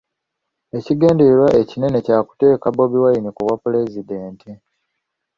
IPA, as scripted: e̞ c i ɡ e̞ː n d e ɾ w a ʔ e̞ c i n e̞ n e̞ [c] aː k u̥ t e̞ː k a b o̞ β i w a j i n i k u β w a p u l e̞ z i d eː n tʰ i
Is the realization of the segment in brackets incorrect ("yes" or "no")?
no